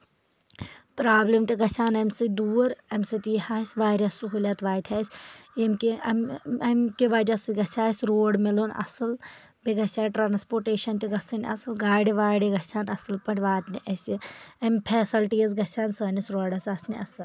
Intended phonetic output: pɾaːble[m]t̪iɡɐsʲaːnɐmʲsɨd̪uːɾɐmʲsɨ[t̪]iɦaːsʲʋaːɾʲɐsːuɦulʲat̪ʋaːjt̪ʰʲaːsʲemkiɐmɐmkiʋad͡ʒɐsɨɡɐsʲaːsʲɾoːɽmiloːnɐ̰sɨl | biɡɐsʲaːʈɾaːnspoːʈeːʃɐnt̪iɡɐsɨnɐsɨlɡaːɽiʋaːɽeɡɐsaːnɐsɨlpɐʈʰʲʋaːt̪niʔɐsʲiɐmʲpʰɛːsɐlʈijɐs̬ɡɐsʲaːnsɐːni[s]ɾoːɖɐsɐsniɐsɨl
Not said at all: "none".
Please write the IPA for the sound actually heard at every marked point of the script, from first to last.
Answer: m, t̪, s

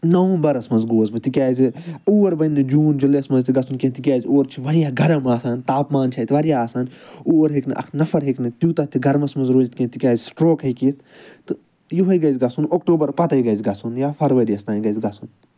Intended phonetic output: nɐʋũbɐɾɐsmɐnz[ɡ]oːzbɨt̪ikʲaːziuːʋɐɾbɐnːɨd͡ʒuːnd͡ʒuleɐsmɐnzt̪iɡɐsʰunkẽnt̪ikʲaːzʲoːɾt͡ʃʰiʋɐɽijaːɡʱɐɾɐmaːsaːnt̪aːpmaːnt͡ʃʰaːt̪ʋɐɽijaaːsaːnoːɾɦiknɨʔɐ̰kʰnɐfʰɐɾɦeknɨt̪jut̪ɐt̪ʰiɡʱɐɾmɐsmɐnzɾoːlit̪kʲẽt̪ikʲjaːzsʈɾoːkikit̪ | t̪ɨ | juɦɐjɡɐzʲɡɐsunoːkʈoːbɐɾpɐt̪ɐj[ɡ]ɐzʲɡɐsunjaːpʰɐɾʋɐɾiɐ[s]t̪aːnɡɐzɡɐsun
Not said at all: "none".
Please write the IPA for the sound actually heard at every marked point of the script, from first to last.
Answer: ɡ, ɡ, s

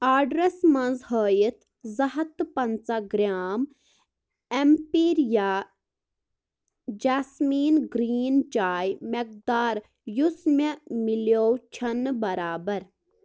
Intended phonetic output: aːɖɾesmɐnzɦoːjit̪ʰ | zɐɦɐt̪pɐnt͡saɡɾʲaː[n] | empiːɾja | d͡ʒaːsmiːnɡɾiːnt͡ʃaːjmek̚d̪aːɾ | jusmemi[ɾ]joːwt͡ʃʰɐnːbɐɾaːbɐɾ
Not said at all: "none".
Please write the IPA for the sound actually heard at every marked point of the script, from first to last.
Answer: m, l

